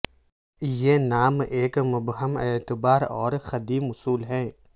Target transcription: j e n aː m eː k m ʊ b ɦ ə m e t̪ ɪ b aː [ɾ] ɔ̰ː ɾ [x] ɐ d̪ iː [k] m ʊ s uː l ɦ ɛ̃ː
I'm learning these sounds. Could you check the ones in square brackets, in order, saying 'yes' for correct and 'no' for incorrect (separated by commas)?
yes, yes, no